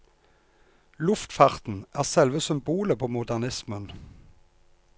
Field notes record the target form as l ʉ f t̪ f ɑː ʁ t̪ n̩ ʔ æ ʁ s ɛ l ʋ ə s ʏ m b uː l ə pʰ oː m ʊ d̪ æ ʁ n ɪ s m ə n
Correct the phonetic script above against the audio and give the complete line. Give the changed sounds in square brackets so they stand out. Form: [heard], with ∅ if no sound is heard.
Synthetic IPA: l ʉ f t̪ f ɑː ʁ t̪ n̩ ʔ [æː] ʁ s ɛ l ʋ ə s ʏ m b uː l ə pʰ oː m ʊ d̪ æ ʁ n ɪ s m ə n